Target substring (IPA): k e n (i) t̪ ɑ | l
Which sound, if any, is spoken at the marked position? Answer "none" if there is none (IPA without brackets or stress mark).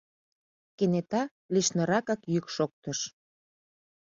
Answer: e